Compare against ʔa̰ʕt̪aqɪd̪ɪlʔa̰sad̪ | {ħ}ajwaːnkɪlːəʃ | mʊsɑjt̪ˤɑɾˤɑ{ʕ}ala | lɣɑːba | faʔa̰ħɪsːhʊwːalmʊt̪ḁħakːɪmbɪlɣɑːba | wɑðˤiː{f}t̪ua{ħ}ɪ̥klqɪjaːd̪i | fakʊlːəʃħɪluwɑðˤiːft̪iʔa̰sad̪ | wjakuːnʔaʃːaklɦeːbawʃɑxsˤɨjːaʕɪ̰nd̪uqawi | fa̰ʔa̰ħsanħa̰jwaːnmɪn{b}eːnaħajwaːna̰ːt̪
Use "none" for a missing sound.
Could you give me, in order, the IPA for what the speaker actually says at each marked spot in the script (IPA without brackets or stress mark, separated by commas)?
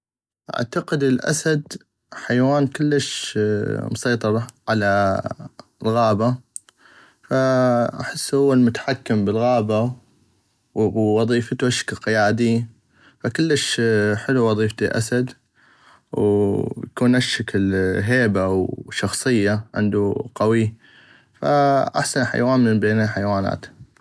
ħ, ʕ, f, ʃ, b